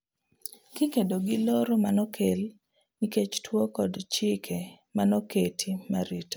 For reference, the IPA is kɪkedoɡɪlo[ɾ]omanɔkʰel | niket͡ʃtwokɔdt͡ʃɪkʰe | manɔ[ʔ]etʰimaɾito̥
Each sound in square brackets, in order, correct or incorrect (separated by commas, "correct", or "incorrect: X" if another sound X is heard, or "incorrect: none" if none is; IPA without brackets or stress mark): correct, incorrect: k